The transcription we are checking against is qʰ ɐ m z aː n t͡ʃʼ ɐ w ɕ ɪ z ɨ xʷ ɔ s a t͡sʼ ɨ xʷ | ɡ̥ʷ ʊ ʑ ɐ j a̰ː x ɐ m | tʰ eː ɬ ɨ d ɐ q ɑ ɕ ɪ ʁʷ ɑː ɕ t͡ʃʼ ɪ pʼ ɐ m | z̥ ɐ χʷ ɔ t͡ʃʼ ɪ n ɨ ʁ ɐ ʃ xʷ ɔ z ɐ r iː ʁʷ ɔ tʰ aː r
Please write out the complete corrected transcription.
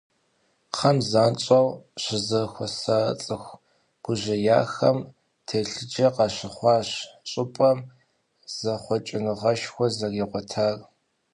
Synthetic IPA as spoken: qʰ ɐ m z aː n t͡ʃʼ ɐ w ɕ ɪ z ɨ xʷ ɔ s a t͡sʼ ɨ xʷ | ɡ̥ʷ ʊ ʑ ɐ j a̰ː x ɐ m | tʰ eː ɬ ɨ d͡ʒ ɐ q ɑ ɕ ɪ χʷ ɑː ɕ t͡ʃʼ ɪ pʼ ɐ m | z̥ ɐ χʷ ɔ t͡ʃʼ ɪ n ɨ ʁ ɐ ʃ xʷ ɔ z ɐ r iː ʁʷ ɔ tʰ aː r